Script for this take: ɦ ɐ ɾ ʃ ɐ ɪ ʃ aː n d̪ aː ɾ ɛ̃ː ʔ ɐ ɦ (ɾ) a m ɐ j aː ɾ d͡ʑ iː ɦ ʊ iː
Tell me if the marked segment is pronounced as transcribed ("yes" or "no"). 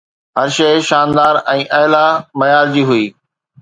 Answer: no